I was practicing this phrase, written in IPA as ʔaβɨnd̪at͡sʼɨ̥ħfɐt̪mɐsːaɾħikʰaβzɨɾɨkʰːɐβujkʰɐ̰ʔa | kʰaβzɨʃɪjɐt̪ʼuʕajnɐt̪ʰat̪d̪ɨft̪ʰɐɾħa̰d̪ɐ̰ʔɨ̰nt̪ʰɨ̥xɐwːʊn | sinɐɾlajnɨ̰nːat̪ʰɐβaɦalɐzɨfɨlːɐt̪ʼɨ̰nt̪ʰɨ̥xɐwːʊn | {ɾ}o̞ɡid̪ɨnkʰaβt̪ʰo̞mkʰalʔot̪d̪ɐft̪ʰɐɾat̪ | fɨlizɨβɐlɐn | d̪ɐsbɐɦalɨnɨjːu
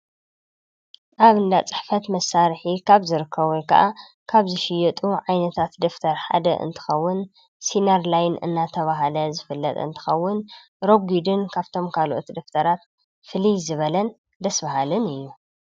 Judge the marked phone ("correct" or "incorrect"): correct